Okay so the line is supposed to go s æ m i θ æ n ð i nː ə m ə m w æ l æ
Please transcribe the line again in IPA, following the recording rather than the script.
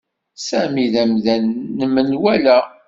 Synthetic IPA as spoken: s æ m i ð æ m ð æ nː ə m ə n w æ l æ